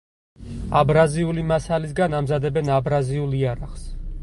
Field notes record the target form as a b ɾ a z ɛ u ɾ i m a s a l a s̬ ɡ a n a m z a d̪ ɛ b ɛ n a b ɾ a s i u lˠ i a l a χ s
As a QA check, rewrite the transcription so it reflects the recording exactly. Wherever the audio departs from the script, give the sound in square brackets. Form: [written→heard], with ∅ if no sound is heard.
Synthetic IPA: a b ɾ a z [ɛ→i] u [ɾ→l] i m a s a l [a→i] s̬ ɡ a n a m z a d̪ ɛ b ɛ n a b ɾ a [s→z] i u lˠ i a [l→ɾ] a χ s